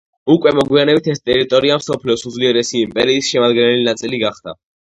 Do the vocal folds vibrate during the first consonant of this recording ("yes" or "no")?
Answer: no